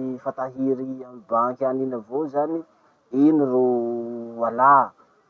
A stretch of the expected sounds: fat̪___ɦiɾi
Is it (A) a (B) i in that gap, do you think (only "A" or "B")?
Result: A